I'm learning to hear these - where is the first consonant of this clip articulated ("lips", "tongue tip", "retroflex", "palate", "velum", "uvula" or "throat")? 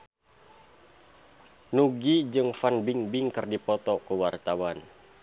tongue tip